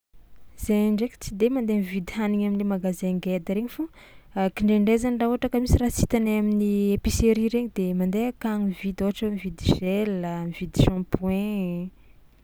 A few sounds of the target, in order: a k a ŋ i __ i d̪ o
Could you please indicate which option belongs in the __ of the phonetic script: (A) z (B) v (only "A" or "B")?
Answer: B